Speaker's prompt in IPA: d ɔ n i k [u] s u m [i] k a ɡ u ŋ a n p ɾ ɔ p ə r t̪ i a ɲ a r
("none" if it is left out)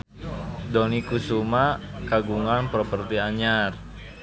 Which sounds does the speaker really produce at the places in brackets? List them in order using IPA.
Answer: u, a

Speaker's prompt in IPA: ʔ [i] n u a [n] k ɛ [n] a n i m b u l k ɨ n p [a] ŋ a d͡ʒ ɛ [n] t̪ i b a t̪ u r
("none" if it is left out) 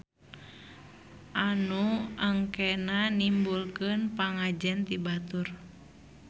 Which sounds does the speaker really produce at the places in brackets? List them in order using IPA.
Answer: a, ŋ, n, a, n

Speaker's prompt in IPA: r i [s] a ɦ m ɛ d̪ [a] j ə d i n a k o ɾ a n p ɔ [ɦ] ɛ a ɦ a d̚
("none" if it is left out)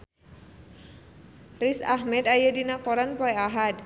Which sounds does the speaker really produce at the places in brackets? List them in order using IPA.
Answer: s, a, none

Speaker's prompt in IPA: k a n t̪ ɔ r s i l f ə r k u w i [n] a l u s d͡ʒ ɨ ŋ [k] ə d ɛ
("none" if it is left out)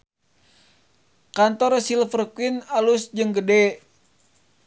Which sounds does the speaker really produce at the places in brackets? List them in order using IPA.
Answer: n, ɡ

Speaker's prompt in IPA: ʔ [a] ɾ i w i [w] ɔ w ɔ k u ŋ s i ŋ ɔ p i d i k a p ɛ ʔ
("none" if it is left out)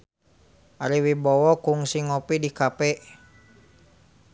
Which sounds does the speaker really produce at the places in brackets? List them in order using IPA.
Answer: a, b

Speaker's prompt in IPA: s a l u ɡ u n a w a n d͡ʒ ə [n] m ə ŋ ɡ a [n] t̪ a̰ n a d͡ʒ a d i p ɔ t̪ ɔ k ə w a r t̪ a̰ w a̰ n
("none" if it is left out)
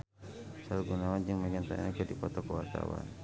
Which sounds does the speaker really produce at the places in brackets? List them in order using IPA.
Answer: ŋ, n

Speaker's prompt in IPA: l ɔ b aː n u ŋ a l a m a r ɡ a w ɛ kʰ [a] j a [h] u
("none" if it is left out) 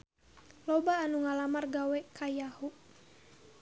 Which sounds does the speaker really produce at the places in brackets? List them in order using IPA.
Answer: a, h

